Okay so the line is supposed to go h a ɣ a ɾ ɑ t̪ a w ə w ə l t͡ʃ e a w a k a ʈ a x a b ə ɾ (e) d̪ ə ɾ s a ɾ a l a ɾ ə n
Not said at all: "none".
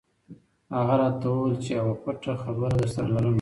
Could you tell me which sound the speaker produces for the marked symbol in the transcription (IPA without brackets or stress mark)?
a